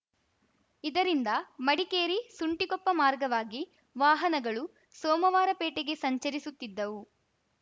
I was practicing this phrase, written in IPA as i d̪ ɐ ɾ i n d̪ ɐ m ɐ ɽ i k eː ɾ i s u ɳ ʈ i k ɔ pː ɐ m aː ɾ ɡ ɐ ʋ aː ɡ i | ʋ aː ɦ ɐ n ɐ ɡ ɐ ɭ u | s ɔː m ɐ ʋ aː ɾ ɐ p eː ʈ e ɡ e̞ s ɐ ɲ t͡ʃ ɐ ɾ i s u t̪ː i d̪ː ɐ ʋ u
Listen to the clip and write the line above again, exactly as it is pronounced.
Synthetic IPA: i d̪ ɐ ɾ i n d̪ ɐ m ɐ ɽ i k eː ɾ i s u ɳ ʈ i k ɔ pː ɐ m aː ɾ ɡ ɐ ʋ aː ɡ i | ʋ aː ɦ ɐ n ɐ ɡ ɐ ɭ u | s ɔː m ɐ ʋ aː ɾ ɐ p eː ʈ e ɡ e̞ s ɐ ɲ t͡ʃ ɐ ɾ i s u t̪ː i d̪ː ɐ ʋ u